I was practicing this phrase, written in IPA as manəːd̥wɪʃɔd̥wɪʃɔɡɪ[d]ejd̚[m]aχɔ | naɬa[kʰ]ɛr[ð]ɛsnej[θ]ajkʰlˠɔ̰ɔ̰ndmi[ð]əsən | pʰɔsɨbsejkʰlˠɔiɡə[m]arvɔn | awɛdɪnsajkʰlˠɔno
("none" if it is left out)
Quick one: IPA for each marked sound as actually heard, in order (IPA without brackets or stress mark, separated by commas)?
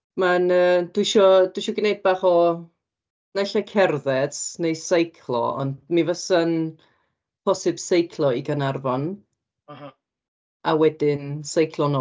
n, b, kʰ, ð, s, v, n